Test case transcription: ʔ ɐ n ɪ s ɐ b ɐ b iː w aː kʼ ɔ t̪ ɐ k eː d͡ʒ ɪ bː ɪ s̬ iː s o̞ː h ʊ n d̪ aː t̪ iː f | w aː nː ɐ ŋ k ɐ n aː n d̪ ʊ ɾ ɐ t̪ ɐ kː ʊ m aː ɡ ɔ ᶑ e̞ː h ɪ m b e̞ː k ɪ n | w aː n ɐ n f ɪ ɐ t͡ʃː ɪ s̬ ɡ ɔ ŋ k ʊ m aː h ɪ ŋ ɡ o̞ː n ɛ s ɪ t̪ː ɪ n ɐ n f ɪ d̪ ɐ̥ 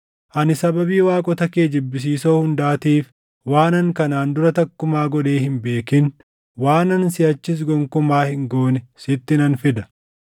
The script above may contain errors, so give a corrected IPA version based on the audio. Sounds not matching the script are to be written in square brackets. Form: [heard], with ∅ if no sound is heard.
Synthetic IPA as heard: ʔ ɐ n ɪ s ɐ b ɐ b iː w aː kʼ ɔ t̪ ɐ k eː d͡ʒ ɪ bː ɪ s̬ iː s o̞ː h ʊ n d̪ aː t̪ iː f | w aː [n] ɐ ŋ k ɐ n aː n d̪ ʊ ɾ ɐ t̪ ɐ kː ʊ m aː ɡ ɔ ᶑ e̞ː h ɪ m b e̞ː k ɪ n | w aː n ɐ n [s] ɪ ɐ t͡ʃː ɪ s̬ ɡ ɔ ŋ k ʊ m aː h ɪ ŋ ɡ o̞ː n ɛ s ɪ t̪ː ɪ n ɐ n f ɪ d̪ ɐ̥